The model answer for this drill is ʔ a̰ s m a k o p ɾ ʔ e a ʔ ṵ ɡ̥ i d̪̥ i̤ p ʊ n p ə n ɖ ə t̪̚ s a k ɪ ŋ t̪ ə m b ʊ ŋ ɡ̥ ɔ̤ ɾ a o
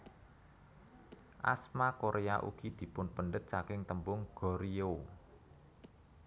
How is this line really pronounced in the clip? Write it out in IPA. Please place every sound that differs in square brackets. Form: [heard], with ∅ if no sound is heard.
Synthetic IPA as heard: ʔ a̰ s m a k o [∅] ɾ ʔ e a ʔ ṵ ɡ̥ i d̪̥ i̤ p ʊ n p ə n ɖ ə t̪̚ s a k ɪ ŋ t̪ ə m b ʊ ŋ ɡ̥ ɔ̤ ɾ [i] o